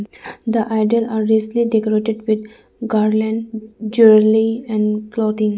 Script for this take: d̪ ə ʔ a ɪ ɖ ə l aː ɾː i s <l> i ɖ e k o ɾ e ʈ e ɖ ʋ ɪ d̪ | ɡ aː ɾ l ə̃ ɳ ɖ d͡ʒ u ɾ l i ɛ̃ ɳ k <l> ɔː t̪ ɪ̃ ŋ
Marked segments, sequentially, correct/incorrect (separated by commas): correct, correct